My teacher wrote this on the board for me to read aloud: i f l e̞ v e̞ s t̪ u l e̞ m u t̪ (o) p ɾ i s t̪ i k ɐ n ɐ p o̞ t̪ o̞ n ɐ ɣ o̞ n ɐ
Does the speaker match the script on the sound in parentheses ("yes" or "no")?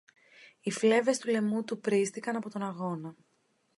no